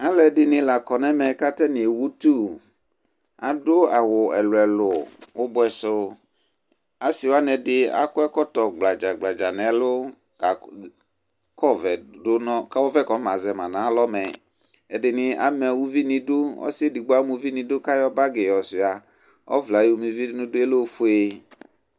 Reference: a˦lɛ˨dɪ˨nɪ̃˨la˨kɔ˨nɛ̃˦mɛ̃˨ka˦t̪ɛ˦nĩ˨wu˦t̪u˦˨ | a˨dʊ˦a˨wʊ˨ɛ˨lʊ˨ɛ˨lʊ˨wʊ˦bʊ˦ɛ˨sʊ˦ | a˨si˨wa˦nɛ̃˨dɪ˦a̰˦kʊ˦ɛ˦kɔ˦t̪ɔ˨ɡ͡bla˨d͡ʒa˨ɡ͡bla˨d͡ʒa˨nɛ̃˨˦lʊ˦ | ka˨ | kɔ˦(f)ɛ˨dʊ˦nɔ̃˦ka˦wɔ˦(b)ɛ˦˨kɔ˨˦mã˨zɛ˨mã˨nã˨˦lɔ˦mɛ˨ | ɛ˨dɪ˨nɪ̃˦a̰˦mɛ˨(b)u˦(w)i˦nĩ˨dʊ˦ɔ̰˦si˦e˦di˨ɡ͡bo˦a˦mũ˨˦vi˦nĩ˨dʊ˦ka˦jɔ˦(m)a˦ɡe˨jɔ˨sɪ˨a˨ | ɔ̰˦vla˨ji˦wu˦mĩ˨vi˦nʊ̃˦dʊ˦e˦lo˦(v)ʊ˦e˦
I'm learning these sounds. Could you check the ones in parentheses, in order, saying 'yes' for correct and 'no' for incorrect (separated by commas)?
no, no, no, no, no, no